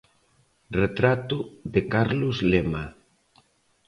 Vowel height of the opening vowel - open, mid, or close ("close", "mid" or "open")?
mid